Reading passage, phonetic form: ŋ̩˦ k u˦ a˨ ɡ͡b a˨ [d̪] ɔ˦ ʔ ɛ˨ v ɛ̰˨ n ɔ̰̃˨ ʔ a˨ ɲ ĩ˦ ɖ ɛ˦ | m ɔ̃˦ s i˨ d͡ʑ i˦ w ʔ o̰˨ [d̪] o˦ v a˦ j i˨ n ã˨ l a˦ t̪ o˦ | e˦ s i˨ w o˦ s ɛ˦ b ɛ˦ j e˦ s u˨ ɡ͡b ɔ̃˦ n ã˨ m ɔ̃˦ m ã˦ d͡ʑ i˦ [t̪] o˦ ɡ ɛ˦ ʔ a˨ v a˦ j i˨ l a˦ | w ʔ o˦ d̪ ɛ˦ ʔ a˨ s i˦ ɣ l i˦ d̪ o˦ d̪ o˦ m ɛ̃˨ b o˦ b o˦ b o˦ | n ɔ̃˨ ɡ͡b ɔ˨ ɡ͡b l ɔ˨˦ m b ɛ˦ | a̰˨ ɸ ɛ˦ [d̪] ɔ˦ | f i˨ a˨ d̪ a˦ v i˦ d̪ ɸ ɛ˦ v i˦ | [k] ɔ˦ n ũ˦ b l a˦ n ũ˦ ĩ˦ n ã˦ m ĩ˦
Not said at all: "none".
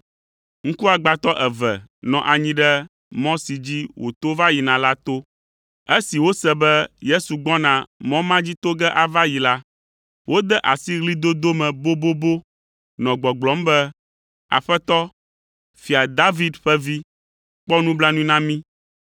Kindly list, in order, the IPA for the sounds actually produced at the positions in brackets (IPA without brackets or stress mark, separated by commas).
t̪, t̪, t̪, t̪, k͡p